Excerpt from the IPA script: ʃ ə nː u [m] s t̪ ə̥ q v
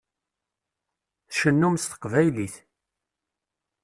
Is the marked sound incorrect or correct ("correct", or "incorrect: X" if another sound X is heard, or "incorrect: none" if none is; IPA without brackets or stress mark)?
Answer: correct